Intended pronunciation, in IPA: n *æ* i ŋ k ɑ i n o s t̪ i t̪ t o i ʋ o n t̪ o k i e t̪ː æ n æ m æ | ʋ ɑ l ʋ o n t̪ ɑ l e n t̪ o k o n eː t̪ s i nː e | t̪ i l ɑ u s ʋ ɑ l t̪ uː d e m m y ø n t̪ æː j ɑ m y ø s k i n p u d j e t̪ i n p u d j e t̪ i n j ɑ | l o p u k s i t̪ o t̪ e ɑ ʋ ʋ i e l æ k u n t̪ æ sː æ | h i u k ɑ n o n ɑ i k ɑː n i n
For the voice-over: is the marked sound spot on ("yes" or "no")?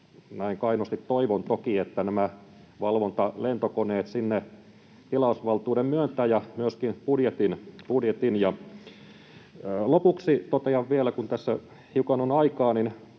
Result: yes